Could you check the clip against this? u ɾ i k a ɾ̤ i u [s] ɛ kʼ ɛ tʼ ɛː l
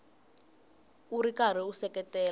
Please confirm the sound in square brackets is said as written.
yes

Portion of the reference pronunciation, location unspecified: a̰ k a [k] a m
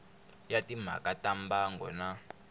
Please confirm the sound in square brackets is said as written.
no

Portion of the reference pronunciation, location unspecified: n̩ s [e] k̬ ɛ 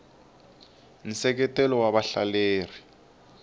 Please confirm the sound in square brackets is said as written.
no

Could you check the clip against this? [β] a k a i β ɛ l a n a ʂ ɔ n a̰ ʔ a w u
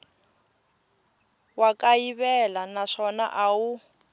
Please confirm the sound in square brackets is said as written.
no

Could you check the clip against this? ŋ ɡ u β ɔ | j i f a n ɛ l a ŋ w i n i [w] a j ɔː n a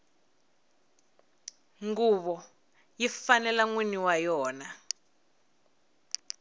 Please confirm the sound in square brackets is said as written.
yes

